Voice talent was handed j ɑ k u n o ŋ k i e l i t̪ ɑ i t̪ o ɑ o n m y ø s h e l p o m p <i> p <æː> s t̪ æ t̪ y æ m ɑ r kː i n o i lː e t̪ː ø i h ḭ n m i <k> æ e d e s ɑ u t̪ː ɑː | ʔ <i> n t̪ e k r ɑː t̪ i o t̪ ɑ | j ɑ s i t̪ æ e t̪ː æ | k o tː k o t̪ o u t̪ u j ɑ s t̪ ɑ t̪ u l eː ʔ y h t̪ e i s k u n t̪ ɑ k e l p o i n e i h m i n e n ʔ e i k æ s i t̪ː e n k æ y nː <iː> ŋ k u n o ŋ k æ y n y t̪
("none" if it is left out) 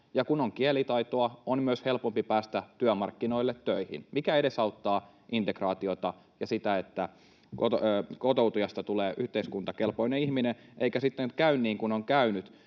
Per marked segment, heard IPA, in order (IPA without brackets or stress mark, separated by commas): i, æː, k, i, iː